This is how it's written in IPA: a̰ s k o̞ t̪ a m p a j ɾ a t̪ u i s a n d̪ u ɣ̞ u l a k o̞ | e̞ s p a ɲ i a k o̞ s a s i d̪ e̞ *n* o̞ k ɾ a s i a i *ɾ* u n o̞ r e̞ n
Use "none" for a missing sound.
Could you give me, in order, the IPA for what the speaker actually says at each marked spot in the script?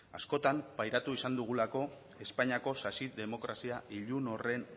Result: m, ʎ

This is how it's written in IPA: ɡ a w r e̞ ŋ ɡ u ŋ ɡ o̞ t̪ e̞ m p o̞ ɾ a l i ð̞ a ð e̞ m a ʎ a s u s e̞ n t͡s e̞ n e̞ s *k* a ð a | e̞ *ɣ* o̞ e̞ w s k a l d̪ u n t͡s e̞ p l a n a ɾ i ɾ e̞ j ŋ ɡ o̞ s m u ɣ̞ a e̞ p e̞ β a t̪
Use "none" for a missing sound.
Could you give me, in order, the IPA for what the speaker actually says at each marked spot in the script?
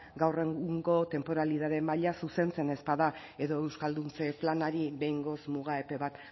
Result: p, ð

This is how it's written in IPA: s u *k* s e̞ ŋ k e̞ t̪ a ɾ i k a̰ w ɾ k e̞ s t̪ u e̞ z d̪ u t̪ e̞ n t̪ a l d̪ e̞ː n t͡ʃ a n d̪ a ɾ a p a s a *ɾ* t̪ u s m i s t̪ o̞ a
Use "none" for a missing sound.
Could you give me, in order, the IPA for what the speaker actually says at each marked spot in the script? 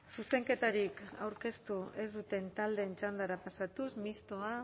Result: none, none

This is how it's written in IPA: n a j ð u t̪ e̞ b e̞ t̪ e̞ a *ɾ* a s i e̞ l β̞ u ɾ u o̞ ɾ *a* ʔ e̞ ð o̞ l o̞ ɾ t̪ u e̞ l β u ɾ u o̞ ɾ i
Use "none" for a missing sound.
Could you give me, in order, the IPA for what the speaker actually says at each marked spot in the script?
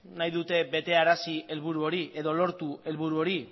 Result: ɾ, i

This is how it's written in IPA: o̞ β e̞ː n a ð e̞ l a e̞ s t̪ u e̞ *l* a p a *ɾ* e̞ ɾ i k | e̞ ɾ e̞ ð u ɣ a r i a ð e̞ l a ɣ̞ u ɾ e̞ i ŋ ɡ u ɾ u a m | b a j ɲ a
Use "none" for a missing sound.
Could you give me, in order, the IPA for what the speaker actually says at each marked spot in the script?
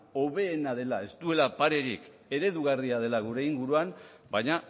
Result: l, ɾ

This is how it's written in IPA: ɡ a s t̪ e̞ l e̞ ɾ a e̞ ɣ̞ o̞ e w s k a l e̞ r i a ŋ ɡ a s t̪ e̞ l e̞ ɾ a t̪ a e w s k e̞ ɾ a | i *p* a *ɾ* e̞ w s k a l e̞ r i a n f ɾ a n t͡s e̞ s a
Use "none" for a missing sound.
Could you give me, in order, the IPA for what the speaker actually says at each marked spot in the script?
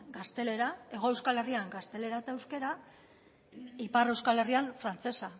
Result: p, r

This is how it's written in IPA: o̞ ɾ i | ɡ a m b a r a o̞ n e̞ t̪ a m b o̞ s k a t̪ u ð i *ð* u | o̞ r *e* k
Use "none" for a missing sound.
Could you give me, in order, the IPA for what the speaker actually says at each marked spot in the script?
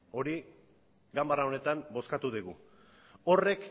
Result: ɣ, e

